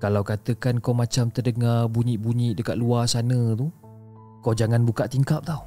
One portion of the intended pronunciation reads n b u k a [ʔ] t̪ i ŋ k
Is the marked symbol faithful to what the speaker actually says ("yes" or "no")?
yes